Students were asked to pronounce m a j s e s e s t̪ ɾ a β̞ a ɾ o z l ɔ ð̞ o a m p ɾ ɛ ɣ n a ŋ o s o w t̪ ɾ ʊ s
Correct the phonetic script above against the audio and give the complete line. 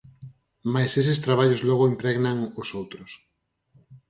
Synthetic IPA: m a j s e s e s t̪ ɾ a β̞ a ʎ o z l ɔ ɣ̞ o i m p ɾ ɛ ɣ n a ŋ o s o w t̪ ɾ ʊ s